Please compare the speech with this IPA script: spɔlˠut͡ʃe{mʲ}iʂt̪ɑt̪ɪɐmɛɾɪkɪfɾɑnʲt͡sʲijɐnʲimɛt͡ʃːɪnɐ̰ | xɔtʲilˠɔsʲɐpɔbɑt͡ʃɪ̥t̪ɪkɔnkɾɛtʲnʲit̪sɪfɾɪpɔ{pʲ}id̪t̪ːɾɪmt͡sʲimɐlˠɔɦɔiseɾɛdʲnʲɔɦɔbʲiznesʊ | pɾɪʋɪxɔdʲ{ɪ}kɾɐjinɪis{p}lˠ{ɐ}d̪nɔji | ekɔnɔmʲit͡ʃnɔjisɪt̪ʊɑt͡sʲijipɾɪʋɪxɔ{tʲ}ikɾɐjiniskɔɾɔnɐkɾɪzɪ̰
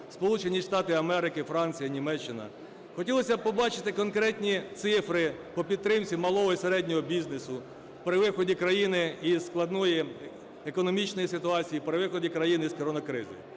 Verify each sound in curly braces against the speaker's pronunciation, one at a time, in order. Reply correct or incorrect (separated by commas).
incorrect, correct, incorrect, incorrect, correct, incorrect